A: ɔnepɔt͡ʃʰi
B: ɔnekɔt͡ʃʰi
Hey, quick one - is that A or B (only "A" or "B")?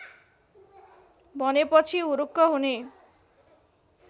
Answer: A